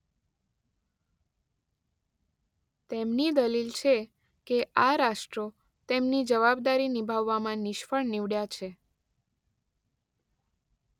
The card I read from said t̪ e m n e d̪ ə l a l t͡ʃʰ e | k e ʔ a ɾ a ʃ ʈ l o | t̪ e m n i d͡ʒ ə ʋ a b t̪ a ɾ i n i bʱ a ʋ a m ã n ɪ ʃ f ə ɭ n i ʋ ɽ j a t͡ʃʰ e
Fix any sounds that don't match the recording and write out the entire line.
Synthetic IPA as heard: t̪ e m n i d̪ ə l i l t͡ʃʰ e | k e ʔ a ɾ a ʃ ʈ ɾ o | t̪ e m n i d͡ʒ ə ʋ a b d̪ a ɾ i n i bʱ a ʋː a m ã n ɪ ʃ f ə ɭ n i ʋ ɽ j a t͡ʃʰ e